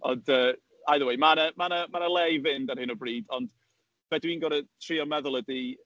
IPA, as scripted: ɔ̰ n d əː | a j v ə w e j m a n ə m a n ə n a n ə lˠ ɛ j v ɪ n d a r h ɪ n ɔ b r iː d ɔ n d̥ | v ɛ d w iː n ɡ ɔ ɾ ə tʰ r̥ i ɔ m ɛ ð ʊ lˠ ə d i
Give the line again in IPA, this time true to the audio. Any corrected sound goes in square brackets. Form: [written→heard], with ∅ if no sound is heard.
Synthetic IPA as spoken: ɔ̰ n d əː | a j [v→ð] ə w e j m a n ə m a n ə [n→m] a n ə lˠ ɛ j v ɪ n d a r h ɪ n ɔ b r iː d ɔ n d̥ | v ɛ d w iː n ɡ ɔ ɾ ə tʰ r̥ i ɔ m ɛ ð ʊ lˠ ə d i